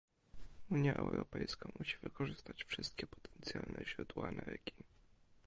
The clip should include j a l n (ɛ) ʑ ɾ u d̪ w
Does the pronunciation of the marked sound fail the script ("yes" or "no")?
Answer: no